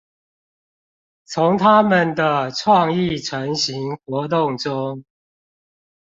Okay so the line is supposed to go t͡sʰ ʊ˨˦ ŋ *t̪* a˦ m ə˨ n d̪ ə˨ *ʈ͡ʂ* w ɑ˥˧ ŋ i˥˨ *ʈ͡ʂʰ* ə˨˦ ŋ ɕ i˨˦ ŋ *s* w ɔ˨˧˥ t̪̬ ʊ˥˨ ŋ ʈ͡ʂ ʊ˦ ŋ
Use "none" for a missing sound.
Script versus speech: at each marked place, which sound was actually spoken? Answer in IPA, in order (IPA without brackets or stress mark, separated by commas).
t̪ʰ, ʈ͡ʂʰ, ʈ͡ʂʰ, x